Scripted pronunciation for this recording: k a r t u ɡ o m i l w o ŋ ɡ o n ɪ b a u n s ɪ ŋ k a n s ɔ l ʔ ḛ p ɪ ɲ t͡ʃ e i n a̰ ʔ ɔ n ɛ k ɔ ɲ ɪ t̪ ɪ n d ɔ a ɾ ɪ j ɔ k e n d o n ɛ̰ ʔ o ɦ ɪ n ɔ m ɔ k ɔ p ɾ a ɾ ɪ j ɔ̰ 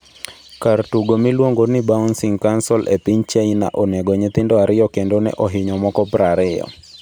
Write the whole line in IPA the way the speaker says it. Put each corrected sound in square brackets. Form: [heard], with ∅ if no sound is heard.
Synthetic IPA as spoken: k a r t u ɡ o m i l w o ŋ ɡ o n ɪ b a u n s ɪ ŋ k a n s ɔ l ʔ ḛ p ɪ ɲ t͡ʃ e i n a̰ ʔ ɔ n ɛ [ɡ] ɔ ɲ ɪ t̪ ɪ n d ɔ a ɾ ɪ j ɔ k e n d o n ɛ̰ ʔ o ɦ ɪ [ɲ] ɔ m ɔ k ɔ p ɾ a ɾ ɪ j ɔ̰